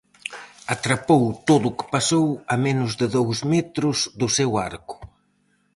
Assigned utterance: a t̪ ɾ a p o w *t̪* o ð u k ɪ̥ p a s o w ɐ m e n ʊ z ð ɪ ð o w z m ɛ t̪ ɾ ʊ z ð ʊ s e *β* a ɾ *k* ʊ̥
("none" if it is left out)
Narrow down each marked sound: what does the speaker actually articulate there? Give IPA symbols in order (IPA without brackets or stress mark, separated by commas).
t̪, w, k